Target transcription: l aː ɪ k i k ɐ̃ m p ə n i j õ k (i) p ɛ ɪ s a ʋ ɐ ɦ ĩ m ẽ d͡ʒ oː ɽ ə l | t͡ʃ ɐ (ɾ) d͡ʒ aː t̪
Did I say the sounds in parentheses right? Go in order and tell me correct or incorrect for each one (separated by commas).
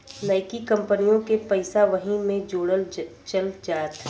incorrect, incorrect